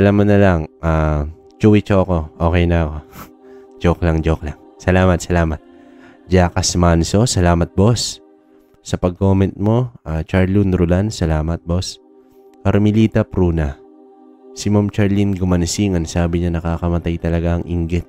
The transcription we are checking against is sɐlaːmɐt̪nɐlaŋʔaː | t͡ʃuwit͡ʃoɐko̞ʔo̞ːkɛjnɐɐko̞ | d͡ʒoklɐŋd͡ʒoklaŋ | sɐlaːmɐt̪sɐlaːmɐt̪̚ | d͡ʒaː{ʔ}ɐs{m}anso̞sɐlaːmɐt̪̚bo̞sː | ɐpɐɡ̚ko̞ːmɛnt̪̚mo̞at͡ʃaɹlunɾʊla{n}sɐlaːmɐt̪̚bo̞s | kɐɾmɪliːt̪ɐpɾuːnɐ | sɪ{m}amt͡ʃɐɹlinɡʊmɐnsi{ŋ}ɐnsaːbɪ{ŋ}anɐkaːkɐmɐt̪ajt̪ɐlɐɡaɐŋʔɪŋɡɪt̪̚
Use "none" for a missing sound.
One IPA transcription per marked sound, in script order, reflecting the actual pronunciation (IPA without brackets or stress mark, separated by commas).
k, m, n, m, ŋ, ɲ